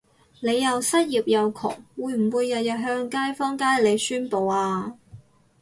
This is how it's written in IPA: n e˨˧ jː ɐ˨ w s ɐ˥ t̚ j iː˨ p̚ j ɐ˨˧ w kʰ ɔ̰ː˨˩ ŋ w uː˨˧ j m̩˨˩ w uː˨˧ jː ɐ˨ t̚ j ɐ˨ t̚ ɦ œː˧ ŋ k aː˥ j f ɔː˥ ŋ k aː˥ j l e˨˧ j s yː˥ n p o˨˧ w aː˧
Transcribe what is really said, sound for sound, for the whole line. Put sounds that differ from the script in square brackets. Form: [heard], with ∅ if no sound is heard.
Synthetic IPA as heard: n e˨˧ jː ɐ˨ w s ɐ˥ t̚ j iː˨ p̚ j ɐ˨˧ w kʰ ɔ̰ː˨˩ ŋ w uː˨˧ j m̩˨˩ w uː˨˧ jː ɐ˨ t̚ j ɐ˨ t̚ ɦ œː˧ ŋ k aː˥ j f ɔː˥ ŋ k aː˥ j l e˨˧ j s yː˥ n p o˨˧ w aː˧